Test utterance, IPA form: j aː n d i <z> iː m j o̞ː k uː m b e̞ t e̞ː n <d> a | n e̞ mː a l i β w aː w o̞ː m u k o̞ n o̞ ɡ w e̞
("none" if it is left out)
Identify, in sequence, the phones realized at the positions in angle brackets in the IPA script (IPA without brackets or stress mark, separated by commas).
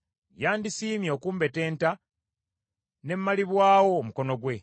s, t